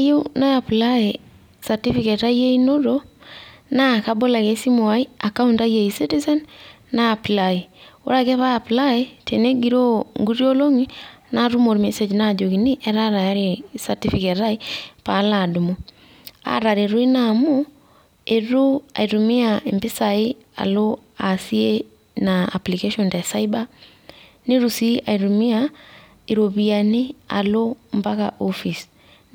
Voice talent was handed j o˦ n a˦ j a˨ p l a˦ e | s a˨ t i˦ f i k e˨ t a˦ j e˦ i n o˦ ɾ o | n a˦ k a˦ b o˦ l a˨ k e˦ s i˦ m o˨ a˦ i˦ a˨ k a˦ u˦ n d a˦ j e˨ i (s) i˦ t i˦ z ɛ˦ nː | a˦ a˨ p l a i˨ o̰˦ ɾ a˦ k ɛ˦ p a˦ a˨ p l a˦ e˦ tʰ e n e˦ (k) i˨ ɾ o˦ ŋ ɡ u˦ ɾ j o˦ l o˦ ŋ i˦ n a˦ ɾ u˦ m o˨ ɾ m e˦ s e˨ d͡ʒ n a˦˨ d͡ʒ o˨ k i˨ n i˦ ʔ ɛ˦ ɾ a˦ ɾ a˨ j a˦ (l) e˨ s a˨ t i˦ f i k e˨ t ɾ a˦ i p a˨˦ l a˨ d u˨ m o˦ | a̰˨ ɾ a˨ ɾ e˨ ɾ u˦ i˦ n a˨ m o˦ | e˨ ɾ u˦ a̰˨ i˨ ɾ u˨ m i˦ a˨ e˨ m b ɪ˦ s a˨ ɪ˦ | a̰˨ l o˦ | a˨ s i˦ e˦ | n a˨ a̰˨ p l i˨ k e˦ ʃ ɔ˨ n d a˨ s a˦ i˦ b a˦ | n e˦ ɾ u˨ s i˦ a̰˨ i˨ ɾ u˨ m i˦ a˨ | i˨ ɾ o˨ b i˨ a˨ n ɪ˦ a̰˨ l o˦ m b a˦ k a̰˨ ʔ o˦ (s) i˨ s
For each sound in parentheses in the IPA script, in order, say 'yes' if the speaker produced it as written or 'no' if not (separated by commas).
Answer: yes, no, no, no